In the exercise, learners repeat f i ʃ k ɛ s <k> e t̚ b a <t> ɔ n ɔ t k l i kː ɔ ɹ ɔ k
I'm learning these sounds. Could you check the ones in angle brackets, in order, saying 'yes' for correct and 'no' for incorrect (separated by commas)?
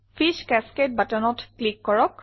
yes, yes